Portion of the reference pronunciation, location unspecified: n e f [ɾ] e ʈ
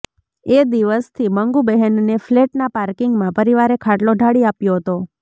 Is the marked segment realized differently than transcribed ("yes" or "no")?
yes